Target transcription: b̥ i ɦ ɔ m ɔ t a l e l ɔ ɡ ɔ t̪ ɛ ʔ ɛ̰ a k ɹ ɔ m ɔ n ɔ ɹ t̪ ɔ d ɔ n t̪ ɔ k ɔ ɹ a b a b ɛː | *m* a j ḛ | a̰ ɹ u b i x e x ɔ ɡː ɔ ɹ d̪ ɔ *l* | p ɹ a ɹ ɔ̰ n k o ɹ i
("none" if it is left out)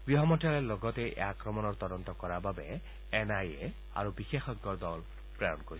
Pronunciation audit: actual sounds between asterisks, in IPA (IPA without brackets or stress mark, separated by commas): n, l